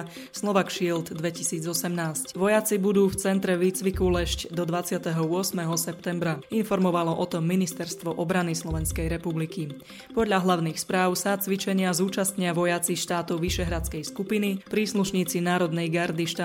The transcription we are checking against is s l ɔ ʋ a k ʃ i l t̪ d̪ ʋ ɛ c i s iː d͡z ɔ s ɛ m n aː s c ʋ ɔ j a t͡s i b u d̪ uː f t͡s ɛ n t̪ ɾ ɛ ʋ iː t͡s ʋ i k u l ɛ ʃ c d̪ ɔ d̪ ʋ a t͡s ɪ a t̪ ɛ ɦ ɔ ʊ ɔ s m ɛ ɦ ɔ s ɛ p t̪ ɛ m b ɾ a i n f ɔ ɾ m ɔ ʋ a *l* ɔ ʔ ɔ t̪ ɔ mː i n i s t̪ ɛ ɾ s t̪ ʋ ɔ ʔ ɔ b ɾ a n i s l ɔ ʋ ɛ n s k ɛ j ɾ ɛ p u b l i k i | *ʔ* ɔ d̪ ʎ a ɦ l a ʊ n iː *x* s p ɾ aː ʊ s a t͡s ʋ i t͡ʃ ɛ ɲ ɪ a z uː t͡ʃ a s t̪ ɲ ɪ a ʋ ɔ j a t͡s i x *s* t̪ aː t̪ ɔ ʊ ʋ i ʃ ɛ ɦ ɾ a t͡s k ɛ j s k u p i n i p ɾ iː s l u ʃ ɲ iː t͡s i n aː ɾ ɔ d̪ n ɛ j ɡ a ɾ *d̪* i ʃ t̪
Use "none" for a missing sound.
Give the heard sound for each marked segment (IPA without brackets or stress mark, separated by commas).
l, p, x, ʃ, d̪